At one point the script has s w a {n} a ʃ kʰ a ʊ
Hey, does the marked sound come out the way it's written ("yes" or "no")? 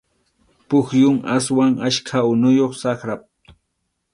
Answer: no